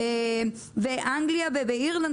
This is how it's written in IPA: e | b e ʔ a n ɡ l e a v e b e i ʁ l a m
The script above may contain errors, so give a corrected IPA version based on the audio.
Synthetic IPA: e | v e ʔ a ŋ ɡ l i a v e v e i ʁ l a n